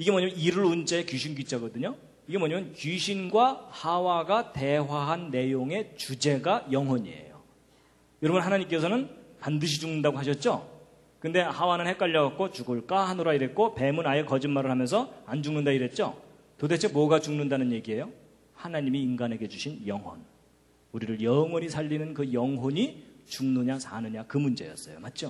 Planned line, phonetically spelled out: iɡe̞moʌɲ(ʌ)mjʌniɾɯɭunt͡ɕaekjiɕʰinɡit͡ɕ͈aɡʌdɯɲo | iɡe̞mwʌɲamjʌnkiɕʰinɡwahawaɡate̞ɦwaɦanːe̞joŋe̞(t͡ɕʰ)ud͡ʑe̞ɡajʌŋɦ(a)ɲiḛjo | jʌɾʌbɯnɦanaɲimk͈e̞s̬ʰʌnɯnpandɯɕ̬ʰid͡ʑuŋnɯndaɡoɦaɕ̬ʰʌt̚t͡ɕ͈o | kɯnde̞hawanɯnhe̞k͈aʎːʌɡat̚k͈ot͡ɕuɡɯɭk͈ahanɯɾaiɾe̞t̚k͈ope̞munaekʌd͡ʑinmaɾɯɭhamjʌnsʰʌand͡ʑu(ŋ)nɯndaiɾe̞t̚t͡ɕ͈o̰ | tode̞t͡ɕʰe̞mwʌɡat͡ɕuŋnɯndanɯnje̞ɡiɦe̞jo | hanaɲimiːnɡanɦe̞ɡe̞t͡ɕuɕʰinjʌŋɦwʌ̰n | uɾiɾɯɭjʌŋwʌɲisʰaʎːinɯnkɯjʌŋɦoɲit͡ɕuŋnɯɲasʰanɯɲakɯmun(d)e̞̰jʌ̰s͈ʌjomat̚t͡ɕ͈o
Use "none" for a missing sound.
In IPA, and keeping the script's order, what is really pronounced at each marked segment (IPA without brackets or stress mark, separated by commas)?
a, t͡ɕ, ʌ, ŋ, d͡ʑ